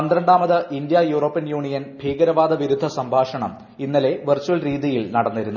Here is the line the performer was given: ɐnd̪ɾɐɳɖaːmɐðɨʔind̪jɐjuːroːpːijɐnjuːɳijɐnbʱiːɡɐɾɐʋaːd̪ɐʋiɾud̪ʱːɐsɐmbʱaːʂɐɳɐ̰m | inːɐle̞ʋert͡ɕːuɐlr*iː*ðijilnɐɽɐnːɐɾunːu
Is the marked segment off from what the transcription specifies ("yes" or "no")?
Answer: no